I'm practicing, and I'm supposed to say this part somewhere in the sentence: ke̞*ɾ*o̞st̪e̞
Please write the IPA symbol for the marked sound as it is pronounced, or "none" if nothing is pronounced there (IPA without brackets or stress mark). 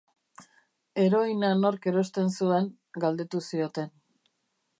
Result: ɾ